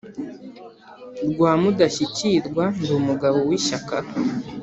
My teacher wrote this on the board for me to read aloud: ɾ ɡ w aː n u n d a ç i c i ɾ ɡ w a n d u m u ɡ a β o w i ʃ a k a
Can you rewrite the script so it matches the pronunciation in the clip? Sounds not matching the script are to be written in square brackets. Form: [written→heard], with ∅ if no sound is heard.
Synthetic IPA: ɾ ɡ w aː [n→m] u [n→∅] d a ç i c i ɾ ɡ w a n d u m u ɡ a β o w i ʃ a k a

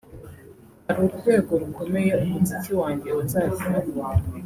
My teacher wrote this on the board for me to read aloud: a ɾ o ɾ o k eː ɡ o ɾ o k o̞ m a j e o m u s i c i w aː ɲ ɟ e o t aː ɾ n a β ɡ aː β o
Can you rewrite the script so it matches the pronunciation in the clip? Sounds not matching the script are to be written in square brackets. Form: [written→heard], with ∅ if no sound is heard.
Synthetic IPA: a ɾ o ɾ [o→u] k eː ɡ o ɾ [o→u] k o̞ m [a→e] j e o m u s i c i w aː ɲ ɟ e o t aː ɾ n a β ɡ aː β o

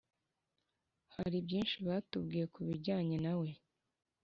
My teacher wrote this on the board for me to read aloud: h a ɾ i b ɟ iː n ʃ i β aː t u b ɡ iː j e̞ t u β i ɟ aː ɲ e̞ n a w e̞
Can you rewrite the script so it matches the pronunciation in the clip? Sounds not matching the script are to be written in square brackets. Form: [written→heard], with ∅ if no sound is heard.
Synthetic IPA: h a ɾ i b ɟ iː n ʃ i β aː t u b ɡ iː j e̞ [t→k] u β i ɟ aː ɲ e̞ n a w e̞

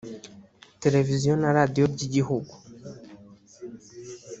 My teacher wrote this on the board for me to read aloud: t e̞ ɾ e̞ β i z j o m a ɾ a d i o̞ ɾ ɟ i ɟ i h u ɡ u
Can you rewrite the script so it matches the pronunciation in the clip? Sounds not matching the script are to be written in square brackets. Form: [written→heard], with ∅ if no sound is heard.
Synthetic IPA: t e̞ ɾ e̞ [β→v] i z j o [m→n] a ɾ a d i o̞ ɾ ɟ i ɟ i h u ɡ u

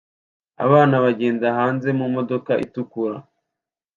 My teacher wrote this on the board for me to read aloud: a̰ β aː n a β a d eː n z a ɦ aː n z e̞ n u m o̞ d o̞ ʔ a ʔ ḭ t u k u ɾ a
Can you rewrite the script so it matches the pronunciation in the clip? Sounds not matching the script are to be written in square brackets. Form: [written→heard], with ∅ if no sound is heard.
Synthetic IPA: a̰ β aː n a β a [d→ɟ] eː n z a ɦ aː n z e̞ [n→m] u m o̞ d o̞ [ʔ→k] a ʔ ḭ t u k u ɾ a

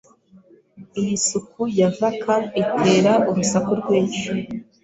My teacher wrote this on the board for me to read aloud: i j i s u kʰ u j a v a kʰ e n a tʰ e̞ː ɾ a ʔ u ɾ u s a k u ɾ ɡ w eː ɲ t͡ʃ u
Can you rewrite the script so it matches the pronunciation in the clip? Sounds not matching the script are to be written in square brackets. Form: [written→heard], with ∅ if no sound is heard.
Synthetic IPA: i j i s u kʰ u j a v a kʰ [e→a] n [a→i] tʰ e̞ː ɾ a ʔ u ɾ u s a k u ɾ ɡ w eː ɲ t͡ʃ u

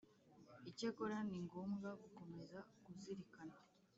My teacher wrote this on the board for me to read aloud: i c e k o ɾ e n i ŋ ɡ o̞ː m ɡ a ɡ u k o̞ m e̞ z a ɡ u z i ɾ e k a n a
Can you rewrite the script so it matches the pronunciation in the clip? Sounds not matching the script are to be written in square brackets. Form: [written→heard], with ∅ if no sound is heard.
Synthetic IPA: i c e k o ɾ [e→a] n i ŋ ɡ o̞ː m ɡ a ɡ u k o̞ m e̞ z a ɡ u z i ɾ [e→i] k a n a

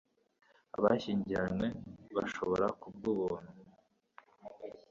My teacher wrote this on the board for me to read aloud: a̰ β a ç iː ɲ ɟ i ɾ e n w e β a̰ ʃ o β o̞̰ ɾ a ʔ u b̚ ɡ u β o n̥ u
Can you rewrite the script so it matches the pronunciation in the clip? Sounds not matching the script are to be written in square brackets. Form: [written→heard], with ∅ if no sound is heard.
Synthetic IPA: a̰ β a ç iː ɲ ɟ i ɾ [e→a] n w e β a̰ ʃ o β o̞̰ ɾ a [ʔ→k] u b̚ ɡ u β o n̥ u

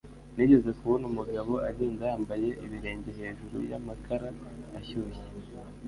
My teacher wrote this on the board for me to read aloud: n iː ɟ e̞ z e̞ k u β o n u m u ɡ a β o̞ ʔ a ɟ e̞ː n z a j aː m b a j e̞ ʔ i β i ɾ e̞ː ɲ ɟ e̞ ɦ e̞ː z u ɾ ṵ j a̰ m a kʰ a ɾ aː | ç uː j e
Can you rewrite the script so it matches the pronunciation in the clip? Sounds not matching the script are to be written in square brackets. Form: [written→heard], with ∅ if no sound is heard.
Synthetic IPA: n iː ɟ e̞ z e̞ k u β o n u m u ɡ a β o̞ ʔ a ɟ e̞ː n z a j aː m b a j e̞ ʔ i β i ɾ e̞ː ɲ ɟ e̞ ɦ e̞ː [z→ʒ] u ɾ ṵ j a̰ m a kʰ a ɾ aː | ç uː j e

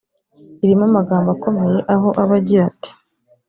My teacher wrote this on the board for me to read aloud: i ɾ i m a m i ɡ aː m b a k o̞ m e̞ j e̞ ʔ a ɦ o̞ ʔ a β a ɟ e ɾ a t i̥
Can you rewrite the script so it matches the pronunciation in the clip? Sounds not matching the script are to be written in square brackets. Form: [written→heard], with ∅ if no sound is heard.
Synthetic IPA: i ɾ i m a m [i→a] ɡ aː m b a k o̞ m e̞ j e̞ ʔ a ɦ o̞ ʔ a β a ɟ [e→i] ɾ a t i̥

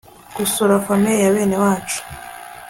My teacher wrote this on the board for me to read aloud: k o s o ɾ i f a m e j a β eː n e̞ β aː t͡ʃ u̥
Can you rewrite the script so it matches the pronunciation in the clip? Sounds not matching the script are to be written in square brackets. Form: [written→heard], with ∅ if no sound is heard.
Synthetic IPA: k [o→u] s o ɾ [i→a] f a m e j a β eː n e̞ [β→w] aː t͡ʃ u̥

